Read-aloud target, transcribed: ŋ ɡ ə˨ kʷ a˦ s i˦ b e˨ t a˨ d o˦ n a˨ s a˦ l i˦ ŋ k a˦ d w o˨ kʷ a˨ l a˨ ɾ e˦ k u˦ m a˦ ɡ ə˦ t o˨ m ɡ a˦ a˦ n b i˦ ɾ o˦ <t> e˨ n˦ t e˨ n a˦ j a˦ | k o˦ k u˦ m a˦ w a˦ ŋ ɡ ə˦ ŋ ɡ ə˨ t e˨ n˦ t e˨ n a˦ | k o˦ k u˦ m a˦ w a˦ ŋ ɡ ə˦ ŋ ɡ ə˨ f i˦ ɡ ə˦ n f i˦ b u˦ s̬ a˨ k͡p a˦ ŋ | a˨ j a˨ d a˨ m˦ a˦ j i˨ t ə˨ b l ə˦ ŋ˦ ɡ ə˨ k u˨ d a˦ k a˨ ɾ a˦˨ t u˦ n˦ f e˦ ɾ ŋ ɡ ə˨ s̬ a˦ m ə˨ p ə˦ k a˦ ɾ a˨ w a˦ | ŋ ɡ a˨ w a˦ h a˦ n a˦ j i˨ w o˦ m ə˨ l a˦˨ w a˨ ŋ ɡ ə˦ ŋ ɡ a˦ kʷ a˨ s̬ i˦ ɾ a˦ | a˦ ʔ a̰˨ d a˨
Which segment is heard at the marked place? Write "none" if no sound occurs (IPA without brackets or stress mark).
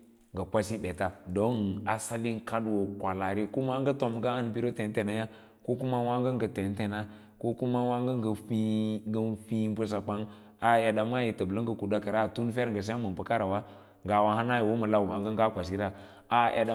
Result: t